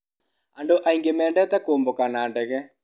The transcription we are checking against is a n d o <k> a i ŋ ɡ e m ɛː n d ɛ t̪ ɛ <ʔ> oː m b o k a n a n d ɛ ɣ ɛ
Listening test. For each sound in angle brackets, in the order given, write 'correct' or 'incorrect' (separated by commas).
incorrect, incorrect